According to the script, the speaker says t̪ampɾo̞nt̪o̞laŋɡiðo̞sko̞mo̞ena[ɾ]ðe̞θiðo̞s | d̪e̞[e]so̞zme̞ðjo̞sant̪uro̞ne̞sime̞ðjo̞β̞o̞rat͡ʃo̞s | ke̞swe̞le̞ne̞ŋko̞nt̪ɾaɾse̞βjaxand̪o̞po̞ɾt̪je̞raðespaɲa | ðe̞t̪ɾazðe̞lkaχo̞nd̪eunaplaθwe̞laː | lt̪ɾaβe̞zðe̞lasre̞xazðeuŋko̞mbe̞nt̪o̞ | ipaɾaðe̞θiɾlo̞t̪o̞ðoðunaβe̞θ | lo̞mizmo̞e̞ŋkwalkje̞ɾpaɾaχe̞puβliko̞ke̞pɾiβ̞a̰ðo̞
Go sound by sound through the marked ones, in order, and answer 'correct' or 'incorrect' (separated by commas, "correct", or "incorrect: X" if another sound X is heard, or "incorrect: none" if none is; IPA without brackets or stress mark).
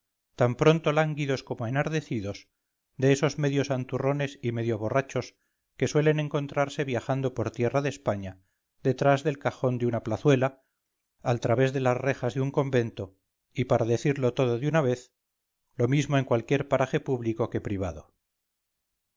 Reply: correct, correct